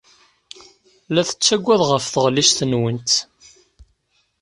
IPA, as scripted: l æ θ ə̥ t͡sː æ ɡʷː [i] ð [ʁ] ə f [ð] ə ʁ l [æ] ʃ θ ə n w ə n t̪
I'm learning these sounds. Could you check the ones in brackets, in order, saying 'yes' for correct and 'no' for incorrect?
no, yes, no, no

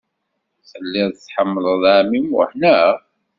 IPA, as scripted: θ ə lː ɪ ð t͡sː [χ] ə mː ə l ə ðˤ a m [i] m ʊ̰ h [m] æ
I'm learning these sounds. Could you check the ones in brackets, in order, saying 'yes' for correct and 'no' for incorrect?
no, yes, no

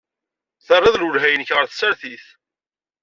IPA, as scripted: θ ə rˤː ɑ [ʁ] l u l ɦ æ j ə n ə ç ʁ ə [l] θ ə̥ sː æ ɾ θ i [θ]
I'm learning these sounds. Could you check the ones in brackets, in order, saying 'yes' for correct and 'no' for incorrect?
no, no, yes

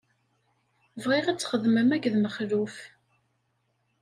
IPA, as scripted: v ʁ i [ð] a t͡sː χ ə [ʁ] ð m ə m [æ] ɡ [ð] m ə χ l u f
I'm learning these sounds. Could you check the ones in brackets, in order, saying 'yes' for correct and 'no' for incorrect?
no, no, yes, yes

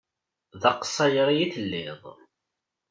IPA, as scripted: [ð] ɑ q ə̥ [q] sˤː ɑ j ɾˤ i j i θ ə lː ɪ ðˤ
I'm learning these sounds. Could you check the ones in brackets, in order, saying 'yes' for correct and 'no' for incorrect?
yes, no

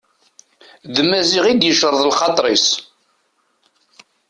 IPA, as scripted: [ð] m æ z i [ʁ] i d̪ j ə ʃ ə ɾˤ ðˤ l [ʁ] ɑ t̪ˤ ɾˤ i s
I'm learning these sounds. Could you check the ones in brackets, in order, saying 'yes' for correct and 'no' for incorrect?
yes, yes, no

